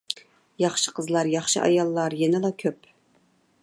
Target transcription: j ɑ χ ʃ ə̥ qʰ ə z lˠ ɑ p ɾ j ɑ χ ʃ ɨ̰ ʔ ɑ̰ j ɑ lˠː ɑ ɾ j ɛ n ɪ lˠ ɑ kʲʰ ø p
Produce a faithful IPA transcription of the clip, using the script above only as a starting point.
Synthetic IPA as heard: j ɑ χ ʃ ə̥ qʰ ə z lˠ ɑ ɾ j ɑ χ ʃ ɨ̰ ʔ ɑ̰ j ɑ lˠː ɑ ɾ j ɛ n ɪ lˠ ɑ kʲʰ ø p